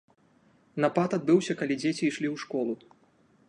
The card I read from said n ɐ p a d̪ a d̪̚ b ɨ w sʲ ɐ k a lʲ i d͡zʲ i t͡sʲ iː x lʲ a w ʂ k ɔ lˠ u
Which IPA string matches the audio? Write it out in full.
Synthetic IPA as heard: n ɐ p a t̪ a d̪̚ b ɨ w sʲ ɐ k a lʲ i d͡zʲ e t͡sʲ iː ʂ lʲ i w ʂ k ɔ lˠ u